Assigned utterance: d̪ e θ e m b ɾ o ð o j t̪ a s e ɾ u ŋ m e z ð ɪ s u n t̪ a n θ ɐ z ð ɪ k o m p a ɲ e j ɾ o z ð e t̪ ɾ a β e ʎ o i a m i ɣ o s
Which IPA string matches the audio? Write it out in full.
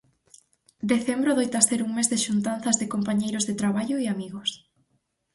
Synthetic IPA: d̪ e θ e m b ɾ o ð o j t̪ a s e ɾ u ŋ m e z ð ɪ ʃ u n t̪ a n θ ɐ z ð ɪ k o m p a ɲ e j ɾ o z ð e t̪ ɾ a β a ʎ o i a m i ɣ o s